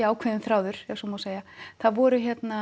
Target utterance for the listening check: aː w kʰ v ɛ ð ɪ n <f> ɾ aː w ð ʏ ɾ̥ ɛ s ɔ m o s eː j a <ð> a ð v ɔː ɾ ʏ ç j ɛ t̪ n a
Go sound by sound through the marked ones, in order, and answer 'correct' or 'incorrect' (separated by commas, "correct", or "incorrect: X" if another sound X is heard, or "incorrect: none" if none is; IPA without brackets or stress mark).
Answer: incorrect: θ, incorrect: θ